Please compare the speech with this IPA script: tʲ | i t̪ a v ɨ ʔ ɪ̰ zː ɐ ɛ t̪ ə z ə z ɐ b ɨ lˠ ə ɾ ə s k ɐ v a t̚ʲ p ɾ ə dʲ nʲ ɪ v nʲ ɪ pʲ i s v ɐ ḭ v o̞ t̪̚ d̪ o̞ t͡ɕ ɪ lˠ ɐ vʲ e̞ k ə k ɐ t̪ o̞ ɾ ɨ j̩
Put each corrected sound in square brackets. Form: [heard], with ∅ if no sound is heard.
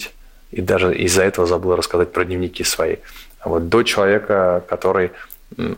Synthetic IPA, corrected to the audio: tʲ | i [d̪] a [ʐ] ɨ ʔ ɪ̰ zː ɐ ɛ t̪ ə [v] ə z ɐ b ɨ lˠ ə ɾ ə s k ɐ [z] a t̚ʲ p ɾ ə dʲ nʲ ɪ v nʲ ɪ [kʲ] i s v ɐ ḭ v o̞ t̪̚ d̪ o̞ t͡ɕ ɪ lˠ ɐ vʲ e̞ k ə k ɐ t̪ o̞ ɾ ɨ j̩